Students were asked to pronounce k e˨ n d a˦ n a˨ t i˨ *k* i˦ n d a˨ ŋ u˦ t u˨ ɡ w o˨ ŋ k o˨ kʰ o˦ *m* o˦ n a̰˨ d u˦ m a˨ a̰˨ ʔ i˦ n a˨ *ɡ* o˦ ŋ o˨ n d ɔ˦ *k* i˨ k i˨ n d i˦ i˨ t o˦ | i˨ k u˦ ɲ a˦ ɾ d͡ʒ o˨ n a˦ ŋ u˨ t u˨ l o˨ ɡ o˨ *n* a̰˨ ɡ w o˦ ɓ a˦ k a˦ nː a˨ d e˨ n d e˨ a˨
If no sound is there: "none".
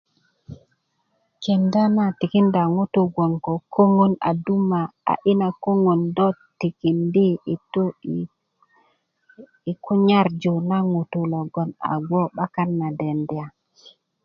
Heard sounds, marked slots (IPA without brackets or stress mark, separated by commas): k, ŋ, k, t, n